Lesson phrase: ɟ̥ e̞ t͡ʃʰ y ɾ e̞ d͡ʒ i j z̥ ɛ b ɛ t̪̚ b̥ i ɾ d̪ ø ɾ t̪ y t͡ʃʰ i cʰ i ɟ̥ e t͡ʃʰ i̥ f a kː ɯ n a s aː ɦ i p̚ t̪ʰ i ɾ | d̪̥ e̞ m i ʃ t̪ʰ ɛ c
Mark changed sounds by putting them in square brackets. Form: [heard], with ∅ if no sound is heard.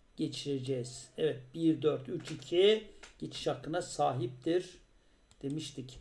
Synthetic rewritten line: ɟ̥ e̞ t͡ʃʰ [i] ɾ e̞ d͡ʒ [ɛ] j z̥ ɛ [v] ɛ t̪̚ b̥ i ɾ d̪ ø ɾ t̪ y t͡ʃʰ i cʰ i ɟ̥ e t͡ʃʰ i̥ [ʃ] a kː ɯ n a s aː ɦ i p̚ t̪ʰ i ɾ | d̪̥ e̞ m i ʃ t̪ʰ [i] c